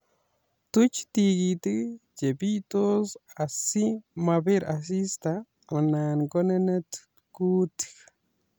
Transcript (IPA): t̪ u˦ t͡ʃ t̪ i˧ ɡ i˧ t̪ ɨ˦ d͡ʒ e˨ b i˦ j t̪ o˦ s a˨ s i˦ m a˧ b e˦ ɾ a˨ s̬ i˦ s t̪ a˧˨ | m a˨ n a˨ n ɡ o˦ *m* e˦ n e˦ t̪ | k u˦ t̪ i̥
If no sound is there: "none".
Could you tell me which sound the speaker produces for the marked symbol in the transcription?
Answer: n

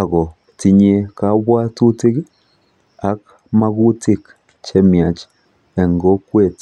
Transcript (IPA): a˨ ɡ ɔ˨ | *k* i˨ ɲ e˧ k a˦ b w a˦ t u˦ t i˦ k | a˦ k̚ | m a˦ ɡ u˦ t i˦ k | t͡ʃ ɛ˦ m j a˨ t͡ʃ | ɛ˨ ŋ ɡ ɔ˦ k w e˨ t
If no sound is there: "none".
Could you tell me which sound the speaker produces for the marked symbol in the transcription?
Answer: t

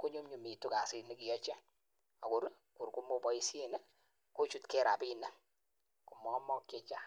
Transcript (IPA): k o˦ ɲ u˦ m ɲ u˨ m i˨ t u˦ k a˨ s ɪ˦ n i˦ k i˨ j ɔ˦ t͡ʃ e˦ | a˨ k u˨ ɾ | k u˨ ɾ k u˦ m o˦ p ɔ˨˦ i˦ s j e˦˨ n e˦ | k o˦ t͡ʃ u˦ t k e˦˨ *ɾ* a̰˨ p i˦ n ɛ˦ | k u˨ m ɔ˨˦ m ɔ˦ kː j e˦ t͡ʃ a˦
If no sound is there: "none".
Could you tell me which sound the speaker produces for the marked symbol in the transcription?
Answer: ɾ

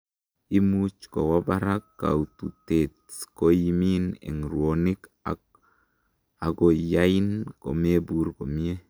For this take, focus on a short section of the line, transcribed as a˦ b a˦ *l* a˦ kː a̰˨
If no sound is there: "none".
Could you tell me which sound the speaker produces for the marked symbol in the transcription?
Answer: ɾ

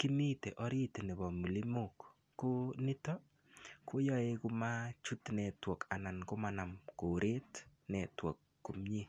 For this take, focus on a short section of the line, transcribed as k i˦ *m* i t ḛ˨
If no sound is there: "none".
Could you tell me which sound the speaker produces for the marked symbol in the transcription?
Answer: m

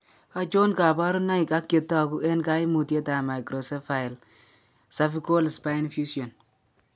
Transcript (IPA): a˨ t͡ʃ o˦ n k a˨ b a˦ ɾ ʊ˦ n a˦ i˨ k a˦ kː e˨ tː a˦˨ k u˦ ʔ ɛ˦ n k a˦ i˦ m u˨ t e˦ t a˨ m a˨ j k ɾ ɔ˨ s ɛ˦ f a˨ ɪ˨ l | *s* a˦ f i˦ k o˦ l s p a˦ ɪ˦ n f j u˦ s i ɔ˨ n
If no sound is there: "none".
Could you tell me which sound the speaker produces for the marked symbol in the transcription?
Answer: s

